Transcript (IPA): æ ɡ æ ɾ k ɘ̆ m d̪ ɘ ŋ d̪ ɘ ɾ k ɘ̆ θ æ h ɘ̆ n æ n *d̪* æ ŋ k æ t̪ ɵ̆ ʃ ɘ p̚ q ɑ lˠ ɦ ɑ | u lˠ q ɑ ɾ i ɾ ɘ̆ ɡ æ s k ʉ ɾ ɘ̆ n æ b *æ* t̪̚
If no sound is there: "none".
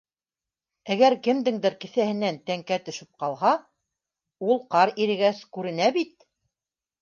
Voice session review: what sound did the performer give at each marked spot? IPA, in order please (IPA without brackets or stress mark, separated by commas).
t̪, i